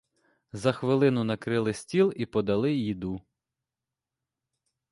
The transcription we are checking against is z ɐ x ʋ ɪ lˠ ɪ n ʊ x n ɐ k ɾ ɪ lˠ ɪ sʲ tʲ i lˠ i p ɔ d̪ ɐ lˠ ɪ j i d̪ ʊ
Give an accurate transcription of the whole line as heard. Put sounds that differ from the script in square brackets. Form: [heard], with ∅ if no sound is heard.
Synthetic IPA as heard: z ɐ x ʋ ɪ lˠ ɪ n ʊ [∅] n ɐ k ɾ ɪ lˠ ɪ sʲ tʲ i lˠ i p ɔ d̪ ɐ lˠ ɪ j i d̪ [u]